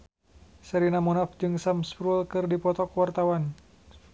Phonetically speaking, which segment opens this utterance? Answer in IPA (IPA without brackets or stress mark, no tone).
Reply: s